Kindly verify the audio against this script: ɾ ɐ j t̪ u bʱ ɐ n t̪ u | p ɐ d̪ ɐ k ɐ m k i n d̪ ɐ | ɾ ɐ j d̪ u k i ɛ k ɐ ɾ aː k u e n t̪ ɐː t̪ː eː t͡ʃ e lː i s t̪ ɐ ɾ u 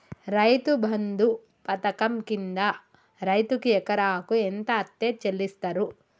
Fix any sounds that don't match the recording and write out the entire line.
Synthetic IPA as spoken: ɾ ɐ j t̪ u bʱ ɐ n d̪ u | p ɐ t̪ ɐ k ɐ m k i n d̪ ɐ | ɾ ɐ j t̪ u k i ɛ k ɐ ɾ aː k u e n t̪ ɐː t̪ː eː t͡ʃ e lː i s t̪ ɐ ɾ u